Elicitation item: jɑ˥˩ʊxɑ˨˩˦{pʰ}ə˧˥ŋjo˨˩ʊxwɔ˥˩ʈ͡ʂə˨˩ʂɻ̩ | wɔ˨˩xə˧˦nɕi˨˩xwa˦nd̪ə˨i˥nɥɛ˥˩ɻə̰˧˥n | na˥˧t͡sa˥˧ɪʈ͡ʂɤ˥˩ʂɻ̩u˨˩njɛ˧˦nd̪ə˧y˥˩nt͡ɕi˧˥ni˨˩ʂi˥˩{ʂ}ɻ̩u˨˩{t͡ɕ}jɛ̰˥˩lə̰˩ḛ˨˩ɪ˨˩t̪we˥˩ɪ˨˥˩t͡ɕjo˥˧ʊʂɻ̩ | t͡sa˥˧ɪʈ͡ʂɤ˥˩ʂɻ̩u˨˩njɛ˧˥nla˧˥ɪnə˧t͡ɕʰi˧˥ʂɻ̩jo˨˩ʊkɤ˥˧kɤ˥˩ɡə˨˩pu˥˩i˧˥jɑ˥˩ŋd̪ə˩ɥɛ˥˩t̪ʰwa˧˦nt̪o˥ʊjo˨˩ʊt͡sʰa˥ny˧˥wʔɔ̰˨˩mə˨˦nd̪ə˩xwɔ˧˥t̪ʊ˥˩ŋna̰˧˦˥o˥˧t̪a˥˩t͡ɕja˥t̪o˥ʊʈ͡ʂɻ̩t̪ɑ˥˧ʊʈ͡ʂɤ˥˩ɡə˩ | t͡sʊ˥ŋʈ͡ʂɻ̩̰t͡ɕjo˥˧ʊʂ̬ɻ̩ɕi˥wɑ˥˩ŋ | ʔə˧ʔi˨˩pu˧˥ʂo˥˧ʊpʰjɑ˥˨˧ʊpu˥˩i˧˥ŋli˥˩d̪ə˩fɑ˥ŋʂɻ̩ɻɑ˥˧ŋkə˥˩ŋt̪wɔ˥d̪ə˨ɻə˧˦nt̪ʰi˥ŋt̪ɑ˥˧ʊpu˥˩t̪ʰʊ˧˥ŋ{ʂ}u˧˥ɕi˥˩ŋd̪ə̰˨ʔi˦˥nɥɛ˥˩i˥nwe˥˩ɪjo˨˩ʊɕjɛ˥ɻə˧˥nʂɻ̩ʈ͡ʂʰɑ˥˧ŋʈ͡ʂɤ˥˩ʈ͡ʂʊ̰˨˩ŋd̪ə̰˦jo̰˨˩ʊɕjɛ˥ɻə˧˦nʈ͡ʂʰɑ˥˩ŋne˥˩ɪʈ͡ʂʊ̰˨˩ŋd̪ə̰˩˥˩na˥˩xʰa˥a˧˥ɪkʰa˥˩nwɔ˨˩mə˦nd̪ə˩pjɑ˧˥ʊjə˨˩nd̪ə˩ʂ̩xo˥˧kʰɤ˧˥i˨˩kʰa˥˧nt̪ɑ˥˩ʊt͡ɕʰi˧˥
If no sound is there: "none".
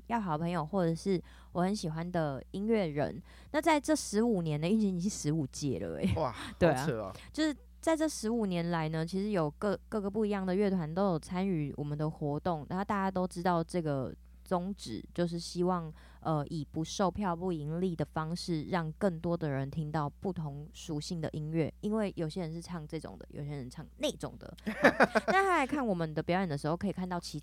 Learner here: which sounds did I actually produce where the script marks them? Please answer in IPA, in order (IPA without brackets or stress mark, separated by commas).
pʰ, ʂ, t͡ɕ, ʂ